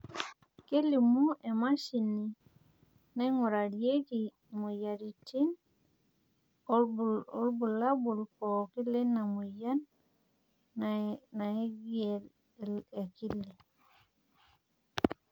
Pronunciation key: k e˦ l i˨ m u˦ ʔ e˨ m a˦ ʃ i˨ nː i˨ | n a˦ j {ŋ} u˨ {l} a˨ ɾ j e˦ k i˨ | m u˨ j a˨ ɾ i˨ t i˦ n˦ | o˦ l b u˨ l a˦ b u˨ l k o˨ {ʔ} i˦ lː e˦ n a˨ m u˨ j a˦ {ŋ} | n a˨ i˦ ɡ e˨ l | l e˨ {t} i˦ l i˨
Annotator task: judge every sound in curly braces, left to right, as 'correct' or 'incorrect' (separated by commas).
correct, incorrect, incorrect, incorrect, incorrect